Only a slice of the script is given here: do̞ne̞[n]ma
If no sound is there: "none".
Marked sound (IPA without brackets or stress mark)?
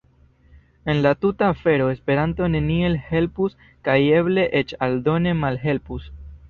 none